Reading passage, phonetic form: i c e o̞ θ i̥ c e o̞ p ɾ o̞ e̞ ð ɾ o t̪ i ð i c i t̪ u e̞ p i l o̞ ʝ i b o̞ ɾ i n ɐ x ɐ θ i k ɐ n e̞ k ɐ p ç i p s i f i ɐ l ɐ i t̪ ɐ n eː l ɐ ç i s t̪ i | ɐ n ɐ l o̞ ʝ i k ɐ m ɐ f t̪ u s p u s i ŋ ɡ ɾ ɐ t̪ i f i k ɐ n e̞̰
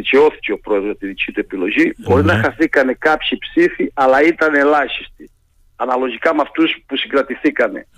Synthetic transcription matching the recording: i c e o̞ θ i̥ c e o̞ p ɾ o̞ e̞ ð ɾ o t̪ i ð i c i t̪ u e̞ p i l o̞ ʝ i b o̞ ɾ i n ɐ x ɐ θ i k ɐ n e̞ k ɐ p ç i p s i f i ɐ l ɐ i t̪ ɐ n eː l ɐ ç i s t̪ i | ɐ n ɐ l o̞ ʝ i k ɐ m ɐ f t̪ u s p u s i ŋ ɡ ɾ ɐ t̪ i θ i k ɐ n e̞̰